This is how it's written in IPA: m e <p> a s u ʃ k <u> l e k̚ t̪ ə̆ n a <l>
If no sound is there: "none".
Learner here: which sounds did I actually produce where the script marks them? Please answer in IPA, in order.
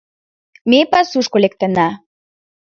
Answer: p, o, none

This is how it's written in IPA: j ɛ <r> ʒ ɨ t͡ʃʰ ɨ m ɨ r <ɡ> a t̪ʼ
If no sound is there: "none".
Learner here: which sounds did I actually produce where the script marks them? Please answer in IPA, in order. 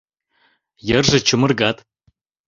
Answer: r, ɡ

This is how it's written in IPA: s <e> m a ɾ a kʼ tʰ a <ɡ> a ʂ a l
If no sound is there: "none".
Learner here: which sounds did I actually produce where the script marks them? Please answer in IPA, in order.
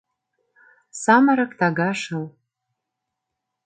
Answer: a, ɡ

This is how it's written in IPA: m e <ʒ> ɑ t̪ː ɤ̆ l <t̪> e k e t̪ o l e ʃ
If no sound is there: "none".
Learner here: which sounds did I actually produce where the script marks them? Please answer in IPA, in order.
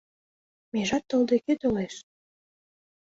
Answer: ʒ, d̪

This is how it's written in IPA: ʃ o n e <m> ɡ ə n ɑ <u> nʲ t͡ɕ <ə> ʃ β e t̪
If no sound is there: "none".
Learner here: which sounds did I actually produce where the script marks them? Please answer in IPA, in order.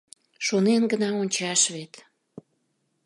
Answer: n, o, ɑ

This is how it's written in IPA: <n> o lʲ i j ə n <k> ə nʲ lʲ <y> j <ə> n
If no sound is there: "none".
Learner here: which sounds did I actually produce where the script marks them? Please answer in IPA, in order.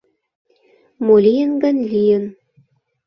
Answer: m, ɡ, i, ə

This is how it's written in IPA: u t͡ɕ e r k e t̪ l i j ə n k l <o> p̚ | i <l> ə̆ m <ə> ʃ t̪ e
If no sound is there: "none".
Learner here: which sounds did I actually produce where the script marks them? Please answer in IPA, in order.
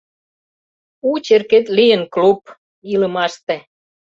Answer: u, l, ɑ

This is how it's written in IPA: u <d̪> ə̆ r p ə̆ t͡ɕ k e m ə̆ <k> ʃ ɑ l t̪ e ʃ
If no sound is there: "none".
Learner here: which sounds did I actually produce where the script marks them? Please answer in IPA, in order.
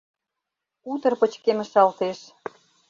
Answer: t̪, none

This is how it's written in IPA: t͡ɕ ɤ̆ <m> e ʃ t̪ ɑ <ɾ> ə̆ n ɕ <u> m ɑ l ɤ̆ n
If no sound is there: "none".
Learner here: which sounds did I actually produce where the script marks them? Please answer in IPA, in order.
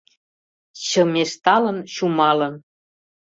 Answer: m, l, u

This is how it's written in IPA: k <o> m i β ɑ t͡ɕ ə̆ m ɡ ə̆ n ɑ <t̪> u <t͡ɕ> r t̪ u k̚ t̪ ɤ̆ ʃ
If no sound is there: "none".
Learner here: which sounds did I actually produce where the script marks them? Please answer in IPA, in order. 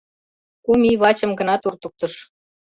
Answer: u, t̪, none

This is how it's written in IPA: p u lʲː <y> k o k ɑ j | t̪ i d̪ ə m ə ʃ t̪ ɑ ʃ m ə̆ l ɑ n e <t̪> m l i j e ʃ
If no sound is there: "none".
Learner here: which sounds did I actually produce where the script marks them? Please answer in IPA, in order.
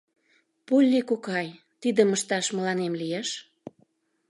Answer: i, none

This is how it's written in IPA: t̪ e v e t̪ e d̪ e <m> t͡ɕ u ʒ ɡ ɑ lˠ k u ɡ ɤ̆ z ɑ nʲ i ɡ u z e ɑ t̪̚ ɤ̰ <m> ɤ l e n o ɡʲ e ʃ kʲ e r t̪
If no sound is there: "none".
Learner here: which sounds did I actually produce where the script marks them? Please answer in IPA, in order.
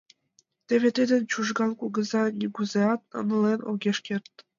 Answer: n, n

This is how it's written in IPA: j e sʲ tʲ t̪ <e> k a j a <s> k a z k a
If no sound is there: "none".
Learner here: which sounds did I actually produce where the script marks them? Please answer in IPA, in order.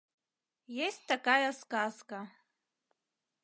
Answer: a, s

